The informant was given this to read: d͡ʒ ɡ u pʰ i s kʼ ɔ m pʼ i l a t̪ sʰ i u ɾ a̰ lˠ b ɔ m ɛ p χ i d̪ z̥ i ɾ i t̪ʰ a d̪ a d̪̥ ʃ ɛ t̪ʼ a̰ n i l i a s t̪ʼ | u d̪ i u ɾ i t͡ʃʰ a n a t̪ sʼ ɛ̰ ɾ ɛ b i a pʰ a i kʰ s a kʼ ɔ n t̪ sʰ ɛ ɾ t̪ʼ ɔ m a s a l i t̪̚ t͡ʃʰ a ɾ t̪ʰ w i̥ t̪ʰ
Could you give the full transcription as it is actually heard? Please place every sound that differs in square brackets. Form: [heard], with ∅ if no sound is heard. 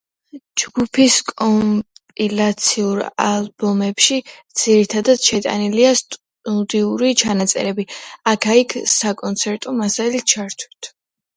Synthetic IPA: d͡ʒ ɡ u pʰ i s kʼ ɔ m pʼ i l a t̪ sʰ i u ɾ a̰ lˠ b ɔ m ɛ p [ʃ] i d̪ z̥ i ɾ i t̪ʰ a d̪ a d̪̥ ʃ ɛ t̪ʼ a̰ n i l i a s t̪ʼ | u d̪ i u ɾ i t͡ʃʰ a n a t̪ sʼ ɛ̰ ɾ ɛ b i a [kʰ] a i kʰ s a kʼ ɔ n t̪ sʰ ɛ ɾ t̪ʼ ɔ m a s a l i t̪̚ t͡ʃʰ a ɾ t̪ʰ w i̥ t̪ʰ